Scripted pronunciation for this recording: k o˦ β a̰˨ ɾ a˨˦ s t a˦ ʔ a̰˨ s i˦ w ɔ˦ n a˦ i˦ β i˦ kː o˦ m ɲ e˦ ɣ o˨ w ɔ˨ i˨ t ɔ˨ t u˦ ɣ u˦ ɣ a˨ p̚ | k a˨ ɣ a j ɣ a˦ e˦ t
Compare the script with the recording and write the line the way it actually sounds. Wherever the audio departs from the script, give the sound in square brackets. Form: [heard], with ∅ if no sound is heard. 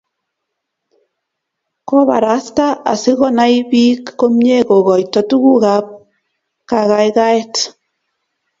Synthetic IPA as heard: k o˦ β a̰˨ ɾ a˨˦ s t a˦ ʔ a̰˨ s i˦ [ɣ] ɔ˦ n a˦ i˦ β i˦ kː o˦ m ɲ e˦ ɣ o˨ [ɣ] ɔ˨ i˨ t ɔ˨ t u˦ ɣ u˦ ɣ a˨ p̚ | k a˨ ɣ a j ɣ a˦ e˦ t